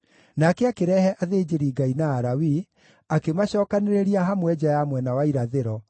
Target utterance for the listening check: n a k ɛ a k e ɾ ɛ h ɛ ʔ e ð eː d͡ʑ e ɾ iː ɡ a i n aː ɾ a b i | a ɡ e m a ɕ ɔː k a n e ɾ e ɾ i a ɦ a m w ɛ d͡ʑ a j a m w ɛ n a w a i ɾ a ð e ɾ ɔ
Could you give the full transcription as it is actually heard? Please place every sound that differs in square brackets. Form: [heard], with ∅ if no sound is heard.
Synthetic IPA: n a k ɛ a k e ɾ ɛ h ɛ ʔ [a] ð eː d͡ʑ e ɾ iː ɡ a i n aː ɾ a [w] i | a [k] e m a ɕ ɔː k a n e ɾ e ɾ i a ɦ a m w ɛ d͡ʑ a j a m w ɛ n a w a i ɾ a ð e ɾ ɔ

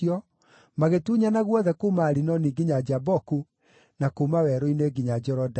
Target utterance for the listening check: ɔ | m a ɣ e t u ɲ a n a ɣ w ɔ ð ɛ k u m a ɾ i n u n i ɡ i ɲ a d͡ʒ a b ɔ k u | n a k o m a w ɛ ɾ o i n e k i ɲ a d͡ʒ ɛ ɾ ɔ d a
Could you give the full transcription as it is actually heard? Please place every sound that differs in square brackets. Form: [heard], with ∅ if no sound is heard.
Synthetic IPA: ɔ | m a ɣ e t u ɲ a n a ɣ w ɔ ð ɛ k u m a ɾ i n [ɔ] n i ɡ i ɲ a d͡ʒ a b ɔ k u | n a k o m a w ɛ ɾ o i n e [ɡ] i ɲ a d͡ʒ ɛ ɾ ɔ d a

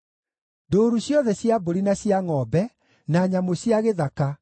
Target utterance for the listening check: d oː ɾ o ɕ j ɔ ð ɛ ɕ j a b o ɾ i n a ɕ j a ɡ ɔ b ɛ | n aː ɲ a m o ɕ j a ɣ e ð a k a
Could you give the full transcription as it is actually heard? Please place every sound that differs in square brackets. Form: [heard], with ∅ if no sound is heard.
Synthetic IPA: d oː ɾ [u] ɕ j ɔ ð ɛ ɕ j a b o ɾ i n a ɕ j a [ŋ] ɔ b ɛ | n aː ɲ a m o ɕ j a ɣ e ð a k a

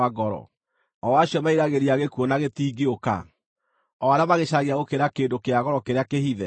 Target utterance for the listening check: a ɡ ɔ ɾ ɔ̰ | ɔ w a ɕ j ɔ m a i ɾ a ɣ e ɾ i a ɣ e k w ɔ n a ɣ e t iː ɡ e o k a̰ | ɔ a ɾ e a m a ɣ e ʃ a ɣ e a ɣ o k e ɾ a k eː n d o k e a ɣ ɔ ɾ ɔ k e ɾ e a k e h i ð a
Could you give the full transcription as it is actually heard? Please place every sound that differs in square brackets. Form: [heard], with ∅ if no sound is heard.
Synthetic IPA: a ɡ ɔ ɾ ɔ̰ | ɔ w a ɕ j ɔ m a i ɾ a ɣ e ɾ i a ɣ e k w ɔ n a ɣ e t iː ɡ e o k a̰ | ɔ a ɾ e a m a ɣ e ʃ a ɣ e a ɣ o k e ɾ a k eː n d o k e a ɣ ɔ ɾ ɔ k e ɾ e a k e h i ð [ɛ]

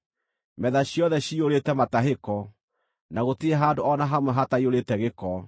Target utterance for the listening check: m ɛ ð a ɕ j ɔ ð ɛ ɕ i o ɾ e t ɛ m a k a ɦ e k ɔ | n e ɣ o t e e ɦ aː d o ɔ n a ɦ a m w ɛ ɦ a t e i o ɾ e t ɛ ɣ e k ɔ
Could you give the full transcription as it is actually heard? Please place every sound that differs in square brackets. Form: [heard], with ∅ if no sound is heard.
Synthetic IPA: m ɛ ð a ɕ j ɔ ð ɛ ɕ i o ɾ e t ɛ m a [t] a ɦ e k ɔ | n [a] ɣ o t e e ɦ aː d o ɔ n a ɦ a m w ɛ ɦ a t [a] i o ɾ e t ɛ ɣ e k ɔ

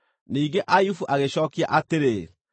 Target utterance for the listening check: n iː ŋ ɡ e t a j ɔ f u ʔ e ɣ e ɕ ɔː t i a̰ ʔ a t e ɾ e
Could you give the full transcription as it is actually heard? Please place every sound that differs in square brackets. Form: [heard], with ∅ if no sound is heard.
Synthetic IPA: n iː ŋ ɡ e [ʔ] a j [u] f u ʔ [a] ɣ e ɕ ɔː [k] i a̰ ʔ a t e ɾ e

